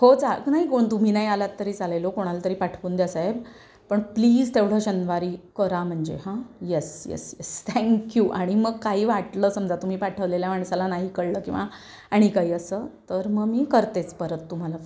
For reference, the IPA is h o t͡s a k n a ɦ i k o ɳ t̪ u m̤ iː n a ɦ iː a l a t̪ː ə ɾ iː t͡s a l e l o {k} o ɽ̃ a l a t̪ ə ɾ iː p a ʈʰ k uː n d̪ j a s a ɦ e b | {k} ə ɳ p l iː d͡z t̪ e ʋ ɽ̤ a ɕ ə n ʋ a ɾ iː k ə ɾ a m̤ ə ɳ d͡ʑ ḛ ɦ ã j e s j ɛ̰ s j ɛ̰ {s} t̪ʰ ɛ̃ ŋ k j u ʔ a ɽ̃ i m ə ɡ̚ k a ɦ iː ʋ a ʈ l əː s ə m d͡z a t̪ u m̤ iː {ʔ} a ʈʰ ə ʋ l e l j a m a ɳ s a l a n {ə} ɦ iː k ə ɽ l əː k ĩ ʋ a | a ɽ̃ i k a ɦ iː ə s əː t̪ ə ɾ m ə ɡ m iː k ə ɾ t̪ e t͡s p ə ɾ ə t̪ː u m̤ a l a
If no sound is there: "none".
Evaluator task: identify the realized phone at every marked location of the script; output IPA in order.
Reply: k, p, s, p, a

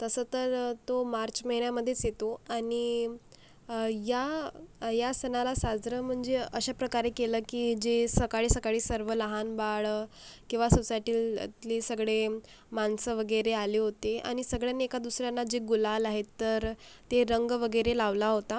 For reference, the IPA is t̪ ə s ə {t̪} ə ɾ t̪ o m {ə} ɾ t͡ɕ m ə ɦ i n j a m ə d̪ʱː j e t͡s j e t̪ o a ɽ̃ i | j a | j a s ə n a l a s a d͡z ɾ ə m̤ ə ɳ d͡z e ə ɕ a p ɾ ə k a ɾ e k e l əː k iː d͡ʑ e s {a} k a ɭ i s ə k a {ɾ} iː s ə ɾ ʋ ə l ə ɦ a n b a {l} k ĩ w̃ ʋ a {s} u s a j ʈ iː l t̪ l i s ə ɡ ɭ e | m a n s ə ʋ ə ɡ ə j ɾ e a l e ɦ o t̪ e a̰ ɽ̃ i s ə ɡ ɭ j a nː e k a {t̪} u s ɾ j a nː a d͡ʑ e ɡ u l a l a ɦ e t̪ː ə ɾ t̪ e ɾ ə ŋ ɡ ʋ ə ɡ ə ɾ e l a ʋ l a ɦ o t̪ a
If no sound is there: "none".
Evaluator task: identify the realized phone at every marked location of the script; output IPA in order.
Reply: t̪, a, ə, ɭ, ɭ, s, d̪

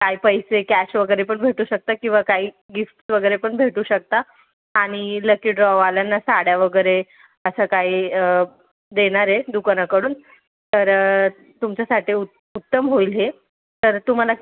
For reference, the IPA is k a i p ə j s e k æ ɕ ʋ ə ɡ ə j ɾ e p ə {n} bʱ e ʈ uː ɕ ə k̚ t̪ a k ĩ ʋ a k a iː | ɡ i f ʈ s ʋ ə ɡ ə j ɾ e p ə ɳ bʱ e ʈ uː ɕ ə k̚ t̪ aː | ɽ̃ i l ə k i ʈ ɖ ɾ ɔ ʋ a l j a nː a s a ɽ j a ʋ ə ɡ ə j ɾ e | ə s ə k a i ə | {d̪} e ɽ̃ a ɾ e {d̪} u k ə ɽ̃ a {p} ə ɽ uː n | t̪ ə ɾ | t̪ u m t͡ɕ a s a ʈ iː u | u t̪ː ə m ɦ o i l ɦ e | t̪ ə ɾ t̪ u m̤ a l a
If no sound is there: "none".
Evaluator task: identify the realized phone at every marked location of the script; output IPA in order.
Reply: ɳ, d̪, d̪, k

